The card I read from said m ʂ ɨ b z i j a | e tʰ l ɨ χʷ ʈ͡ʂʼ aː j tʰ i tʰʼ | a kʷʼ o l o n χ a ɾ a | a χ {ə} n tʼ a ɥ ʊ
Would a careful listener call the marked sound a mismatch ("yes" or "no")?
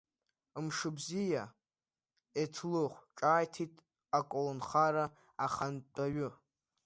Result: yes